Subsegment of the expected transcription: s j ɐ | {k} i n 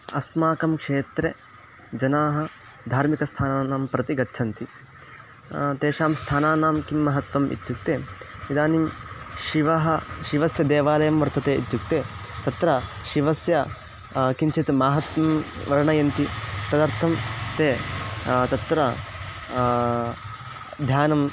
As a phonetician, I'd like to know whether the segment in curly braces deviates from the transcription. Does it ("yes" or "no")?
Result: no